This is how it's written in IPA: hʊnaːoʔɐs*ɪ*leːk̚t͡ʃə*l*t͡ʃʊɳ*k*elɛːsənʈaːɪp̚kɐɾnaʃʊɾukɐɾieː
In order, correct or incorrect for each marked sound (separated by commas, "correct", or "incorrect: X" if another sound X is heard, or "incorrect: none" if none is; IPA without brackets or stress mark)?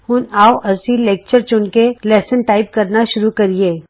incorrect: i, incorrect: ɾ, correct